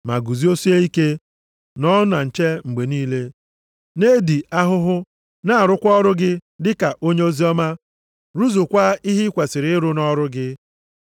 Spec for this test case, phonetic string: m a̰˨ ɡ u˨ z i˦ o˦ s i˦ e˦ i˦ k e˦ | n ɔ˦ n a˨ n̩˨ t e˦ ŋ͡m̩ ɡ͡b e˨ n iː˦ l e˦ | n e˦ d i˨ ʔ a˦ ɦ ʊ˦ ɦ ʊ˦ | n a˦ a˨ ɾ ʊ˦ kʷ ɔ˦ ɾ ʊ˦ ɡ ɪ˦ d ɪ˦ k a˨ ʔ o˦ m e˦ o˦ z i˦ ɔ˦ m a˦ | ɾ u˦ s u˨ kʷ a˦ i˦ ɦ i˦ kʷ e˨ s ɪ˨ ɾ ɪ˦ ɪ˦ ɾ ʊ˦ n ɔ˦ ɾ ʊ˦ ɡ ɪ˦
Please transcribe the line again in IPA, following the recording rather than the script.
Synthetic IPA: m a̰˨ ɡ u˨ z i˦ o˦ s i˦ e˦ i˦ k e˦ | n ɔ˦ n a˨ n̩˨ t͡ʃ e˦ ŋ͡m̩ ɡ͡b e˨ n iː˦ l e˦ | n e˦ d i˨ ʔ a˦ ɦ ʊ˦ ɦ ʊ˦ | n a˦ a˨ ɾ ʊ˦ kʷ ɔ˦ ɾ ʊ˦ ɡ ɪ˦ d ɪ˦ k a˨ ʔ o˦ ɲ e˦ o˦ z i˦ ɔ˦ m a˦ | ɾ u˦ z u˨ kʷ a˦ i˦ ɦ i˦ kʷ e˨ s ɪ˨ ɾ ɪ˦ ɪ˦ ɾ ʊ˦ n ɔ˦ ɾ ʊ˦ ɡ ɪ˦